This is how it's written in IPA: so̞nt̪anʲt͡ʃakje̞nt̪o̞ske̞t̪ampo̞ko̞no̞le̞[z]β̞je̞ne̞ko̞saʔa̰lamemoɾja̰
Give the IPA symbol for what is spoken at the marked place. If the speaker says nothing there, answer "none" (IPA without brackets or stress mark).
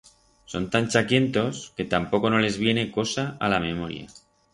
z